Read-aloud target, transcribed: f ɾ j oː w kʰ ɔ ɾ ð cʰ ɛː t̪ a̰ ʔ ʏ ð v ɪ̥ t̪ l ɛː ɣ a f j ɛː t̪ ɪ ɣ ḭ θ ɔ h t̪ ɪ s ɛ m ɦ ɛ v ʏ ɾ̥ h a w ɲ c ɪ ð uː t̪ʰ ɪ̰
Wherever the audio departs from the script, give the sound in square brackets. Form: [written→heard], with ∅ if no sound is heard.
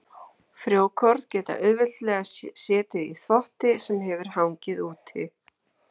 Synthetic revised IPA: f ɾ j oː w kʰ ɔ ɾ ð [cʰ→c] ɛː t̪ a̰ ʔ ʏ ð v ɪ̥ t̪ l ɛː ɣ a [f→s] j ɛː t̪ ɪ [ɣ→ð] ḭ θ ɔ h t̪ ɪ s ɛ m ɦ ɛ v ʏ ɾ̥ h a w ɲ c ɪ ð uː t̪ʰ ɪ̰